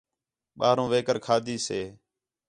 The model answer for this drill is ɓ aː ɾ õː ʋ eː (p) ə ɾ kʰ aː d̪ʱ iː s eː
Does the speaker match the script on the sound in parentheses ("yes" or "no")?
no